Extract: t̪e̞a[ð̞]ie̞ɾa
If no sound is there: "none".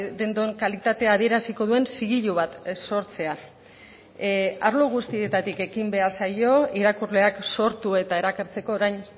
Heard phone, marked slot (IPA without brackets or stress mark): ð̞